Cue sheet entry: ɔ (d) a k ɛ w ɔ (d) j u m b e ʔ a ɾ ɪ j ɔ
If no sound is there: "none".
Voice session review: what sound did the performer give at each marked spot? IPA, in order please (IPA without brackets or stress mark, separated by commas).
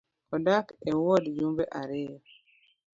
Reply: d, d